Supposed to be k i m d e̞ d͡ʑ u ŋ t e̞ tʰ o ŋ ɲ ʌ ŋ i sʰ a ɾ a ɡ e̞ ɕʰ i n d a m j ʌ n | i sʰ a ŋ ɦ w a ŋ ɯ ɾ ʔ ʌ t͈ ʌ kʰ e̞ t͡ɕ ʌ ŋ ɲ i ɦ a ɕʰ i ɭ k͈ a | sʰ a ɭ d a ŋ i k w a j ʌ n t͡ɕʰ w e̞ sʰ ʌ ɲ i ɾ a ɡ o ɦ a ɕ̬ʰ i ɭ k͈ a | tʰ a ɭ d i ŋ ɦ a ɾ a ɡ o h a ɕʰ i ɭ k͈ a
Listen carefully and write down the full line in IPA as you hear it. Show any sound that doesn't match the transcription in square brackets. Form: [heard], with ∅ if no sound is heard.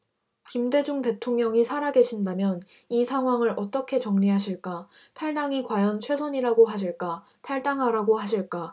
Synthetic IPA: k i m d e̞ d͡ʑ u ŋ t e̞ tʰ o ŋ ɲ ʌ ŋ i sʰ a ɾ a ɡ e̞ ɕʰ i n d a m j ʌ n | i sʰ a ŋ ɦ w a ŋ ɯ ɾ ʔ ʌ t͈ ʌ kʰ e̞ t͡ɕ ʌ ŋ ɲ i ɦ a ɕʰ i ɭ k͈ a | [tʰ] a ɭ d a ŋ i k w a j ʌ n t͡ɕʰ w e̞ sʰ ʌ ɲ i ɾ a ɡ o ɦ a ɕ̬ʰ i ɭ k͈ a | tʰ a ɭ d [a] ŋ ɦ a ɾ a ɡ o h a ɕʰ i ɭ k͈ a